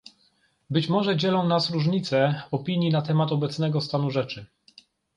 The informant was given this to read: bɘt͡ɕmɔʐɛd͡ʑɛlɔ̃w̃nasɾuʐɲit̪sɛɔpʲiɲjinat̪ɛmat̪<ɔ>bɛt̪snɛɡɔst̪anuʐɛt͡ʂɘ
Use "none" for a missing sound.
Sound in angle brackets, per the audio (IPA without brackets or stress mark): ɔ